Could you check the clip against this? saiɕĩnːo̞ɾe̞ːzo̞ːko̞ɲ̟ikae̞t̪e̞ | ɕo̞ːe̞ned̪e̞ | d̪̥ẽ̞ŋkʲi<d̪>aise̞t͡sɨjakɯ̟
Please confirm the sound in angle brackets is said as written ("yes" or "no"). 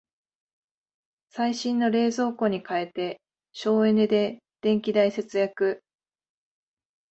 yes